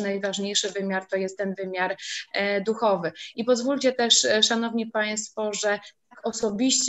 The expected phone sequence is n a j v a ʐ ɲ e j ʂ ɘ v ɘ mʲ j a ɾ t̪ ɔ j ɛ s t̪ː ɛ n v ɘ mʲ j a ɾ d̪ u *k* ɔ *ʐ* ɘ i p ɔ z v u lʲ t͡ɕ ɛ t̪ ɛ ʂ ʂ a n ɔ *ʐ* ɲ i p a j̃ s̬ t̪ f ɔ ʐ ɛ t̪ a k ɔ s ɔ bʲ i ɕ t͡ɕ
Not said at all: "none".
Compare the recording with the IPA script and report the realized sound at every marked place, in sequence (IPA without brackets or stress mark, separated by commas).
x, v, v